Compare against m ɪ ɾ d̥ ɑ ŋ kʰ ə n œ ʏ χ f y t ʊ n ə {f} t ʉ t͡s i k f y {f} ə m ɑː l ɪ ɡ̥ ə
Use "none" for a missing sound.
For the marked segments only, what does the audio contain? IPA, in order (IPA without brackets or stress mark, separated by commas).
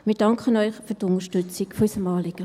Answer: ʃ, s